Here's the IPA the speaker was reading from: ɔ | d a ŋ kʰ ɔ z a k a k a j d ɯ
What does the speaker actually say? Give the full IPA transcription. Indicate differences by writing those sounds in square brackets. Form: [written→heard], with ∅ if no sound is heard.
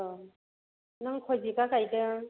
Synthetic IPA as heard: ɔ | [d→n] a ŋ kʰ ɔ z [a→i] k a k a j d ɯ